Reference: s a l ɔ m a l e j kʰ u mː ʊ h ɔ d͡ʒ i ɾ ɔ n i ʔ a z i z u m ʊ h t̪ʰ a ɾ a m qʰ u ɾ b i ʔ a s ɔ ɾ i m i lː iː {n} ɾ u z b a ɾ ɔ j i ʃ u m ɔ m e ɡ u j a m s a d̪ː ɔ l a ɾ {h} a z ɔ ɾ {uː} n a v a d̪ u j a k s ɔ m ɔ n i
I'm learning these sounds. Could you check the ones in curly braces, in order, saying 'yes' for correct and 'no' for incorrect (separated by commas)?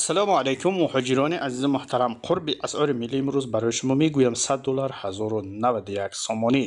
no, yes, no